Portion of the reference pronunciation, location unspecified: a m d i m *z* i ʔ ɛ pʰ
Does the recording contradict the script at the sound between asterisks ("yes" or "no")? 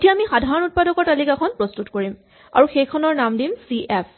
yes